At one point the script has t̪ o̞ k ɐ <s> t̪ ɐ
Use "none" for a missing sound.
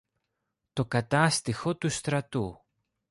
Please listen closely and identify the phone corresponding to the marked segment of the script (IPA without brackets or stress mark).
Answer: none